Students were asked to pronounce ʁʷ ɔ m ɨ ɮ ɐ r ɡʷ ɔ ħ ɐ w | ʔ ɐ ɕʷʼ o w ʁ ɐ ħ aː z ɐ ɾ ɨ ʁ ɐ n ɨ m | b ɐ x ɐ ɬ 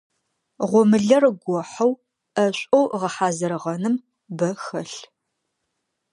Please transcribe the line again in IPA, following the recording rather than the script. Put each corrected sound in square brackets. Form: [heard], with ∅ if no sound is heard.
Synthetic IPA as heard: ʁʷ ɔ m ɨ ɮ ɐ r ɡʷ ɔ ħ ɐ w | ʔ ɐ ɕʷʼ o w ʁ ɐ ħ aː z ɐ ɾ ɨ ʁ ɐ n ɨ m | b ɐ x ɐ ɬ